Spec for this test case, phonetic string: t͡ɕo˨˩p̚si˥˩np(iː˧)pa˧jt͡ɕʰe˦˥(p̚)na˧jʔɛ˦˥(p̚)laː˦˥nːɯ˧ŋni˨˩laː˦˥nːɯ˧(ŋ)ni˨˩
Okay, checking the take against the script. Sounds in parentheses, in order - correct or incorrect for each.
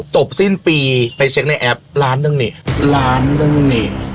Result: correct, incorrect, correct, correct

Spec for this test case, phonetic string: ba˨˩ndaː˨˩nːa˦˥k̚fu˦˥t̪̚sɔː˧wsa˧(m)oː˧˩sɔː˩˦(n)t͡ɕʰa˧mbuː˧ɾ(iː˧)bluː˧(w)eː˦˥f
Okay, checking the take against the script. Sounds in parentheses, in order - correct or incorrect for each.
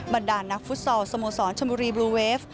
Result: correct, correct, correct, correct

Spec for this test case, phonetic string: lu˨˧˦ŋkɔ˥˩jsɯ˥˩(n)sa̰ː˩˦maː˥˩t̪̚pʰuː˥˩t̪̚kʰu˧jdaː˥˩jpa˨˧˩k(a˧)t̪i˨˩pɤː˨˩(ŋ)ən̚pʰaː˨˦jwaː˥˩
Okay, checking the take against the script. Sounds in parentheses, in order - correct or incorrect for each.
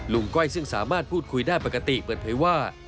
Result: incorrect, correct, incorrect

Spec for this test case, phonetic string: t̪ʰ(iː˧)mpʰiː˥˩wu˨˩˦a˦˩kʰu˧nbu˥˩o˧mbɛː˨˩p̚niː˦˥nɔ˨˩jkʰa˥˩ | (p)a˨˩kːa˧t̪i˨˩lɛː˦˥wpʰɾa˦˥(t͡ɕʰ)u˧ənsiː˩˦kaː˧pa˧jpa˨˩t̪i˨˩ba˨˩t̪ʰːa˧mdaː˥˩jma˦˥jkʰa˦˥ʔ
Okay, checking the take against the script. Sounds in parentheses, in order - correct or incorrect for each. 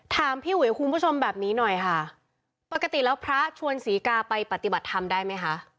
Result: incorrect, correct, correct

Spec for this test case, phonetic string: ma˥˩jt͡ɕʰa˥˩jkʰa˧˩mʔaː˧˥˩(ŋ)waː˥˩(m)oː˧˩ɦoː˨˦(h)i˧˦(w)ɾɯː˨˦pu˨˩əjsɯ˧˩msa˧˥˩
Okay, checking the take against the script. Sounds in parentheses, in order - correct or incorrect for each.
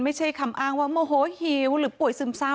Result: correct, correct, correct, correct

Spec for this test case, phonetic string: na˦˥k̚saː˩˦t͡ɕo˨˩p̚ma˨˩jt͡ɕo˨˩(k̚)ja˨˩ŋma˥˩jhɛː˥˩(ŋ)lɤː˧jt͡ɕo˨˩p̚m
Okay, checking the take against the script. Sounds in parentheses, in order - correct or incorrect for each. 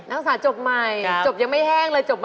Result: incorrect, correct

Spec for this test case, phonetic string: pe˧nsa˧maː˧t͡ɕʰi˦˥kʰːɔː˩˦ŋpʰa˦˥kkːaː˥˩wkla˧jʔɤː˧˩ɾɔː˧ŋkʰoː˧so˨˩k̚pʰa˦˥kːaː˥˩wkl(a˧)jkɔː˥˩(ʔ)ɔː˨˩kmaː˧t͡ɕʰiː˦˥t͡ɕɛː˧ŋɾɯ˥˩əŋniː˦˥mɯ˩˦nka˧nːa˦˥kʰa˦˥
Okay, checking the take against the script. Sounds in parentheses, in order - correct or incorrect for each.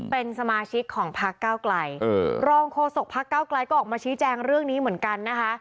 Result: correct, correct

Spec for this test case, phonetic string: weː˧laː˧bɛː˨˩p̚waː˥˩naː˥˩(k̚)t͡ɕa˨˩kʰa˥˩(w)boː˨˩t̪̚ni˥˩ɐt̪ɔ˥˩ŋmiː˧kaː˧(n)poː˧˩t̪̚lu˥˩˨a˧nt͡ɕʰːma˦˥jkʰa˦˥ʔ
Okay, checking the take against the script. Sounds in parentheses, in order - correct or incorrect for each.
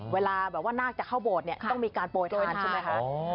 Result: correct, correct, correct

